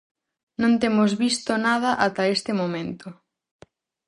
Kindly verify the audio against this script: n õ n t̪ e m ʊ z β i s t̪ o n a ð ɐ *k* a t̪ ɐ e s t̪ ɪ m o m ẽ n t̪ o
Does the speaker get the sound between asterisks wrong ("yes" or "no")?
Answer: yes